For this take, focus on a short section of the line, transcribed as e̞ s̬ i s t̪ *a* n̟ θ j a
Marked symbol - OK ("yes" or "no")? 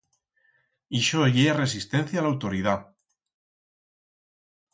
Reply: no